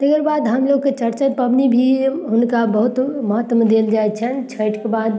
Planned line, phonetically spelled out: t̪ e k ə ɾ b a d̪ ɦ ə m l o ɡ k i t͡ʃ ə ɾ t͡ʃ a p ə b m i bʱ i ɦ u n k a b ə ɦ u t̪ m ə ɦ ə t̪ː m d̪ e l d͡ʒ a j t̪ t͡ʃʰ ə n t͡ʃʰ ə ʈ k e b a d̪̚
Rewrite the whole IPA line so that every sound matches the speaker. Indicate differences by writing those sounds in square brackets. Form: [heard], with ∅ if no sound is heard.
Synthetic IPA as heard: t̪ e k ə ɾ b a d̪ ɦ ə m l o ɡ k [e] t͡ʃ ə ɾ t͡ʃ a p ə b [n] i bʱ i ɦ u n k a b ə ɦ u t̪ m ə ɦ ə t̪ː m d̪ e l d͡ʒ a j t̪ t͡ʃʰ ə n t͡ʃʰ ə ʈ k e b a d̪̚